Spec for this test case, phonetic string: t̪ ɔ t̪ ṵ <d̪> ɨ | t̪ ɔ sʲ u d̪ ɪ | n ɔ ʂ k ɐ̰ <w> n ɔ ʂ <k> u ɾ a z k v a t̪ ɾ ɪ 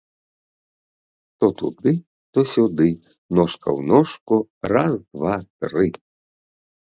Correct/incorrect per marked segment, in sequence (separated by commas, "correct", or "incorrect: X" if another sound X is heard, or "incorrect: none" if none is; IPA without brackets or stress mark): correct, correct, correct